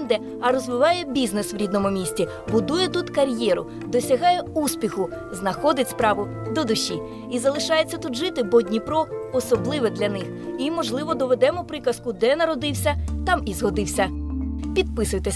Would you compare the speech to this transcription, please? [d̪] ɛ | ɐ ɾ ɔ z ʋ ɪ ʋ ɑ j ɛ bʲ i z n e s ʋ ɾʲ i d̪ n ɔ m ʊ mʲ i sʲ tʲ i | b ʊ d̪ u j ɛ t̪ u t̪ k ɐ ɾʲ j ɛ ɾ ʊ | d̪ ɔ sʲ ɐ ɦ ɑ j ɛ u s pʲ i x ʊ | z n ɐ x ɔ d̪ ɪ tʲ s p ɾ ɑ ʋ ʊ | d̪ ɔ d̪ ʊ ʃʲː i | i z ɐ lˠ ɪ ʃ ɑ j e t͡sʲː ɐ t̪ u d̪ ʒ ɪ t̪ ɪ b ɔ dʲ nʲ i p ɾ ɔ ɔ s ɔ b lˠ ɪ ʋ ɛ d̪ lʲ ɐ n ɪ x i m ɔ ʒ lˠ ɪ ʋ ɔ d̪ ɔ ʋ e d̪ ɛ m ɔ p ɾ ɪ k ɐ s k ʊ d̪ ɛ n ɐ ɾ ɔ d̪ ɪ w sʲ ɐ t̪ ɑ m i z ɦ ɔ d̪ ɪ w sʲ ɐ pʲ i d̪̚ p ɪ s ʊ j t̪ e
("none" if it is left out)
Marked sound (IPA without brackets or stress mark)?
d̪